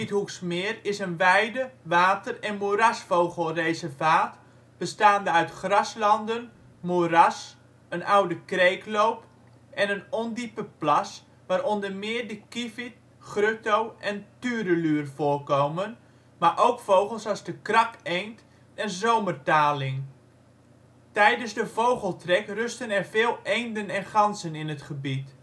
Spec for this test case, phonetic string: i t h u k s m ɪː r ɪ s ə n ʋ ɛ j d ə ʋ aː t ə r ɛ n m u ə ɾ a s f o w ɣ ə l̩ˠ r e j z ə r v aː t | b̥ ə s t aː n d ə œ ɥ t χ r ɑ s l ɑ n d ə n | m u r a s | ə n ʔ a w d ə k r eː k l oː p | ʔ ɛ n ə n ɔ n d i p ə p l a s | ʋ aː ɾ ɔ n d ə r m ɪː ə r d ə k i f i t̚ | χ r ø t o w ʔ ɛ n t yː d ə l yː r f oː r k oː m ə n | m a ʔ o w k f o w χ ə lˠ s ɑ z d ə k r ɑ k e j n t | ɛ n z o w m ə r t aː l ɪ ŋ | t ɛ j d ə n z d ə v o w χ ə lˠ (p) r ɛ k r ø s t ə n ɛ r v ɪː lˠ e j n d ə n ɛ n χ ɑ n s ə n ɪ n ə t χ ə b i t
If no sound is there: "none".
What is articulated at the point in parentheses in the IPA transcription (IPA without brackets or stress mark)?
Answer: t